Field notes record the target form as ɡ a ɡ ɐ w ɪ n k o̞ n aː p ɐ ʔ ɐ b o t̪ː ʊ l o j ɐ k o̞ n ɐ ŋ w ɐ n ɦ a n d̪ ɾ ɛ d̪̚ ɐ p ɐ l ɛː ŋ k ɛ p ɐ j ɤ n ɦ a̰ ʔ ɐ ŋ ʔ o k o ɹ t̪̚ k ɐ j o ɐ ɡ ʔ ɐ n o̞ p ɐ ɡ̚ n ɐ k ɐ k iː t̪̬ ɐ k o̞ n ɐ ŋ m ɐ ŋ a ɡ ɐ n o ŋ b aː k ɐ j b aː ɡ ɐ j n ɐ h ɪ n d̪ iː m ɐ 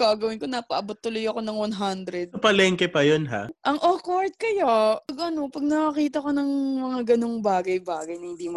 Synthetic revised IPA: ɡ a ɡ ɐ w ɪ n k o̞ n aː p ɐ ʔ ɐ b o t̪ː ʊ l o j ɐ k o̞ n ɐ ŋ w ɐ n ɦ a n d̪ ɾ ɛ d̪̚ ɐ p ɐ l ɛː ŋ k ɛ p ɐ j o n ɦ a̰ ʔ ɐ ŋ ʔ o k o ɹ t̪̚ k ɐ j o ɐ ɡ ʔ ɐ n o̞ p ɐ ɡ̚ n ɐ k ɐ k iː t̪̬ ɐ k o̞ n ɐ ŋ m ɐ ŋ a ɡ ɐ n o ŋ b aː ɡ ɐ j b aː ɡ ɐ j n ɐ h ɪ n d̪ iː m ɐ